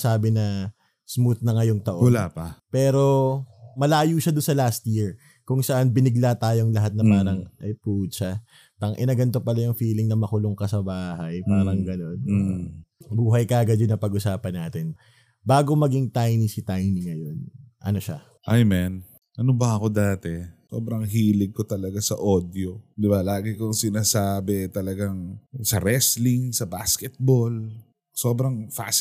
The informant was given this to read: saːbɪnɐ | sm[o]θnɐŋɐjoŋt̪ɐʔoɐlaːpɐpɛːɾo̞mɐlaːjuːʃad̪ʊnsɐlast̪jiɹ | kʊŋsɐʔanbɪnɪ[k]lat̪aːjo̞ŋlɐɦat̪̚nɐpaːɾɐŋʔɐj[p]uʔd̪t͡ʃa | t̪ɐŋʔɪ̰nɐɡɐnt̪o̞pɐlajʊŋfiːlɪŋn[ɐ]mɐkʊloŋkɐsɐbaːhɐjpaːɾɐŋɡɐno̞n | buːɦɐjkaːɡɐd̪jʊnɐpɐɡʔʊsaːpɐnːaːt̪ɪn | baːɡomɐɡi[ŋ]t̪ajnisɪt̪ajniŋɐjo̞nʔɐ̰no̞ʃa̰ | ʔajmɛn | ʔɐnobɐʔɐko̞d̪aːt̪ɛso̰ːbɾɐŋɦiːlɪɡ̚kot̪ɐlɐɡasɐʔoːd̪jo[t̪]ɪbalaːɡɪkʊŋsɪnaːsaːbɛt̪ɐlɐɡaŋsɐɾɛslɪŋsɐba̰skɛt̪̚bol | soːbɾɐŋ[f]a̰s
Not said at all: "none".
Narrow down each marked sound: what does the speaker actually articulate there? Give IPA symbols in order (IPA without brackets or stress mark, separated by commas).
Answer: u, ɡ, p, ɐ, ŋ, d̪, f